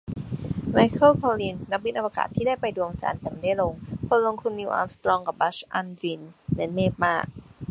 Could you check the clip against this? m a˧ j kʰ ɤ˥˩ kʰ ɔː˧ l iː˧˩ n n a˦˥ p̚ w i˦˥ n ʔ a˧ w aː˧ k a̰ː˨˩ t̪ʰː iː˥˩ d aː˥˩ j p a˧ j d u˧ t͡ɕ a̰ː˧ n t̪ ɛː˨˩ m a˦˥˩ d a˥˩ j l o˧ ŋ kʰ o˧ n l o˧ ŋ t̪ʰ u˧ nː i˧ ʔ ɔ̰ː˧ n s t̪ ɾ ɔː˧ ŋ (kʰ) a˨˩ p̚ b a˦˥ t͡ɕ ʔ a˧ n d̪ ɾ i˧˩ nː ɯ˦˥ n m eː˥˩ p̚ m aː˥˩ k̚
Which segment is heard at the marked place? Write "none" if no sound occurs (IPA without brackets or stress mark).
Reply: k